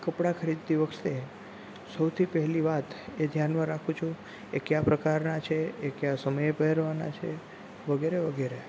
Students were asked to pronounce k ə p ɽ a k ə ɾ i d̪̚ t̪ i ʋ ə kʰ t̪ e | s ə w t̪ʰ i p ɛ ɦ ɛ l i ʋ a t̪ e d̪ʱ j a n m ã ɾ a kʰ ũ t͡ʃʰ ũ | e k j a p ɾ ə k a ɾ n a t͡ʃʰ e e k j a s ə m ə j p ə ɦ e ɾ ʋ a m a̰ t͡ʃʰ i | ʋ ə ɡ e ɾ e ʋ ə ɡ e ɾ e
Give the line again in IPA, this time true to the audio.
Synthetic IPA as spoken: k ə p ɽ a kʰ ə ɾ i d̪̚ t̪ i ʋ ə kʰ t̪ e | s ə w t̪ʰ i p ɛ ɦ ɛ l i ʋ a t̪ e d̪ʱ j a n m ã ɾ a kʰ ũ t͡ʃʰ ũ | e k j a p ɾ ə k a ɾ n a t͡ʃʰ e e k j a s ə m ə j p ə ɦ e ɾ ʋ a n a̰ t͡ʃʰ e | ʋ ə ɡ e ɾ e ʋ ə ɡ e ɾ e